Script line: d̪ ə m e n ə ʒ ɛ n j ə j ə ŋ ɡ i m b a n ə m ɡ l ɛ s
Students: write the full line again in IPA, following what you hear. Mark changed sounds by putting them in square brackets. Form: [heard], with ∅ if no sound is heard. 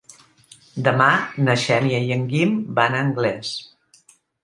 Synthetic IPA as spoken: d̪ ə m [a] n ə [ʃ] ɛ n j ə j ə ŋ ɡ i m b a n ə [ŋ] ɡ l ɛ s